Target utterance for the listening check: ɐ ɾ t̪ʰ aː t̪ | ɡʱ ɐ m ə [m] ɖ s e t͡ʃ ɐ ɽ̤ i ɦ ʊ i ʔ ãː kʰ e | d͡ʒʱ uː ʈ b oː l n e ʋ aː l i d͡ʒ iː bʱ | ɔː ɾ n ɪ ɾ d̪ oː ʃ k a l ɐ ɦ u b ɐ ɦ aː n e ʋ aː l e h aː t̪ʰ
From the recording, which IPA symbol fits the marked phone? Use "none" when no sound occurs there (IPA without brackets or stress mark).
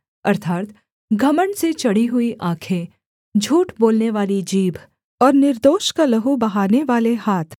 ɳ